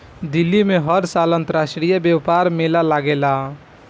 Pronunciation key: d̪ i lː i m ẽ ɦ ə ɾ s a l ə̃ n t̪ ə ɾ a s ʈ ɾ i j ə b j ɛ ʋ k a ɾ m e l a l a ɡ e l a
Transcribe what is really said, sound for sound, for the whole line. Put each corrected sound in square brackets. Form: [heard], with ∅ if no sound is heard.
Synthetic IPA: d̪ i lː i m [e] ɦ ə ɾ s a l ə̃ n t̪ ə ɾ a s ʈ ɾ i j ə b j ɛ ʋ [p] a ɾ m e l a l a ɡ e l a